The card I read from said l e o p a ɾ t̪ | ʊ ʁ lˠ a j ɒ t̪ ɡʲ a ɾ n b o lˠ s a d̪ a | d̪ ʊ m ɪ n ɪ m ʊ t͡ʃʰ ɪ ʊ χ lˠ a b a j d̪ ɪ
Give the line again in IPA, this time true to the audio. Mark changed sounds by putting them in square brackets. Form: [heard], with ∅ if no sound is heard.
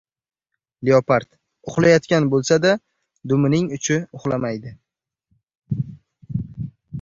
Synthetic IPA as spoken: l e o p a ɾ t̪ | ʊ [χ] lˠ a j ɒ t̪ [kʲ] a [∅] n b o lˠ s a d̪ a | d̪ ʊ m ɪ n ɪ [ŋ] ʊ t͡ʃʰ ɪ ʊ χ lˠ a [m] a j d̪ ɪ